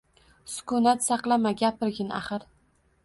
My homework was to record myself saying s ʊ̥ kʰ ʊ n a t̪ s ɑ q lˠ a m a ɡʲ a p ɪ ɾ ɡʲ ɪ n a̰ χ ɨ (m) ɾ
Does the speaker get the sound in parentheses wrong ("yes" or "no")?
yes